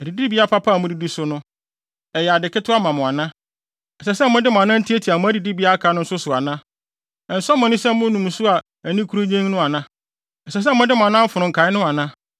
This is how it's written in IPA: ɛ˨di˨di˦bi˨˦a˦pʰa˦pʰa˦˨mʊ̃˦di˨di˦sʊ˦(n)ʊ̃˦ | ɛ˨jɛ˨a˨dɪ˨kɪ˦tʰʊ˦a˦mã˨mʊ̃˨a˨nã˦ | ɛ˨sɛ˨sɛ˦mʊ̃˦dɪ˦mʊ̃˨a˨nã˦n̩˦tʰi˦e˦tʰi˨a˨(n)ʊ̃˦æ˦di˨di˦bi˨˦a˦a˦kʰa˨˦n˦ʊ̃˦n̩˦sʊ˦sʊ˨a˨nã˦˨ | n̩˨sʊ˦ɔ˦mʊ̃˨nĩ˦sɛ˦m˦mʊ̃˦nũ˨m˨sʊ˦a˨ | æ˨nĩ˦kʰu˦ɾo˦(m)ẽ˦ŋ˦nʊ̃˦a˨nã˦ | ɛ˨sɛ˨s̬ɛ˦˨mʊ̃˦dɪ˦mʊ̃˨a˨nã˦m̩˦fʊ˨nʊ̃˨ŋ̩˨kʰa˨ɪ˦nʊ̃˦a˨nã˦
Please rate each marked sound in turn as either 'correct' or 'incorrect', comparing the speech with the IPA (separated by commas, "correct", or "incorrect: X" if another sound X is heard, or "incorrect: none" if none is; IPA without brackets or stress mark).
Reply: correct, incorrect: m, incorrect: ɲ